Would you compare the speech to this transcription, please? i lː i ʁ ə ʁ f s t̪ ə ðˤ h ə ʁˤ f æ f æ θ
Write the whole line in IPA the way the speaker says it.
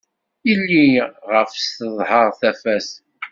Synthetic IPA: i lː i ʁ ə f s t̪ ə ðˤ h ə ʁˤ θ æ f æ s